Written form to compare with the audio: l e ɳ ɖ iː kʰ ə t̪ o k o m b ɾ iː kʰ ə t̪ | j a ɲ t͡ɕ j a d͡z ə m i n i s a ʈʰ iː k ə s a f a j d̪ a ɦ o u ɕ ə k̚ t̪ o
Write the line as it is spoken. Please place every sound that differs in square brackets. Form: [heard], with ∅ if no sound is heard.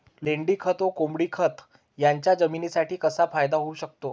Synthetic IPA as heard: l e ɳ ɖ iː kʰ ə t̪ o k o m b [ɽ] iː kʰ ə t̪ | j a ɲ t͡ɕ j a d͡z ə m i n i s a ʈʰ iː k ə s a f a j d̪ a ɦ o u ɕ ə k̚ t̪ o